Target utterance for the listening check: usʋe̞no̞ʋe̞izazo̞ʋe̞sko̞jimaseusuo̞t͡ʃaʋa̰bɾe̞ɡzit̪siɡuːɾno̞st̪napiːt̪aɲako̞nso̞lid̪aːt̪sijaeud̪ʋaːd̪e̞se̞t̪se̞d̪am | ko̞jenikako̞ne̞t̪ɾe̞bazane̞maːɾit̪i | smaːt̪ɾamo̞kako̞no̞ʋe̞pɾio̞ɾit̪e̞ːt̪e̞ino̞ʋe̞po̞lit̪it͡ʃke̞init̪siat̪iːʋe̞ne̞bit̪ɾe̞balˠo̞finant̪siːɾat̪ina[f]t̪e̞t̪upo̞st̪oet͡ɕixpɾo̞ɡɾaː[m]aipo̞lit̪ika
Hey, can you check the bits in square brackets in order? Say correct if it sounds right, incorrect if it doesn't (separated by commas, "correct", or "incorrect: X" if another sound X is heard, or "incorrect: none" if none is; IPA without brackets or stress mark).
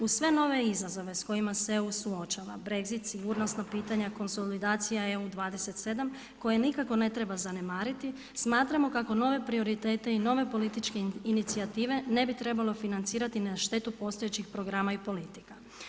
incorrect: ʃ, correct